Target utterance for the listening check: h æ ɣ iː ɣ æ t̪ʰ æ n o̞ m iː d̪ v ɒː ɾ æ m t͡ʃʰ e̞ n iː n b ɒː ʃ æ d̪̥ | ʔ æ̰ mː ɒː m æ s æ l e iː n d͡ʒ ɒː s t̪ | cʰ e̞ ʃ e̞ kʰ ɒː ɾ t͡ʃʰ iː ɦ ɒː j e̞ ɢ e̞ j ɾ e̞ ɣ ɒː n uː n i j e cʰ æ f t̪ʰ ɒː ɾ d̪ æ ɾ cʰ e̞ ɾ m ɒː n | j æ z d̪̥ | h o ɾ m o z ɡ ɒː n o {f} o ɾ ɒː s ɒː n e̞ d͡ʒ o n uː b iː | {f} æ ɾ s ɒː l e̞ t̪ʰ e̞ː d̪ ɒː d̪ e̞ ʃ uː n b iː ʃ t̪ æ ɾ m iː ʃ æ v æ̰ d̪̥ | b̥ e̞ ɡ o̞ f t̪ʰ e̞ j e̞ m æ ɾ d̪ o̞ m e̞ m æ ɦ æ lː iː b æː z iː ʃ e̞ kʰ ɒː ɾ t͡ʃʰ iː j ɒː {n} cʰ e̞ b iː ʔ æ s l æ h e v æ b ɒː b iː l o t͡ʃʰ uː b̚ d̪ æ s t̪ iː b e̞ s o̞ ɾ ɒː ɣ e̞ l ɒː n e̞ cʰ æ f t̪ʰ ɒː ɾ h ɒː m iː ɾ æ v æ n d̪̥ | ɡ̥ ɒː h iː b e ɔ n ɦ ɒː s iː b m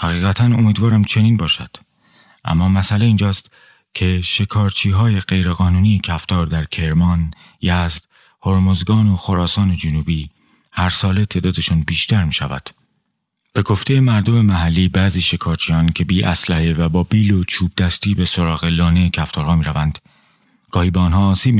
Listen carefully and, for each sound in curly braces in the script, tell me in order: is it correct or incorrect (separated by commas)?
incorrect, incorrect, correct